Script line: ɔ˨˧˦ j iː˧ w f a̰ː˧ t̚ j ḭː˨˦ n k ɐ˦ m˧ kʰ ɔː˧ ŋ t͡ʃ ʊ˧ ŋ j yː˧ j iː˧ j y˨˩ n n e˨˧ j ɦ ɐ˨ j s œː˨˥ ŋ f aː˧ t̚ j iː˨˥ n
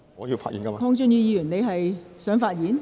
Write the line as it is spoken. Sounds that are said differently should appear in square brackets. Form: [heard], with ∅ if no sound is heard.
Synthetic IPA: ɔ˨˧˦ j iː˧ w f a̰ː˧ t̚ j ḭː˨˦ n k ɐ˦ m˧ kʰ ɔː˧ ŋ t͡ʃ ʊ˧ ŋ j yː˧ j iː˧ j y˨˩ n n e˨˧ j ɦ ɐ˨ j s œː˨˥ ŋ f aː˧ t̚ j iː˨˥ n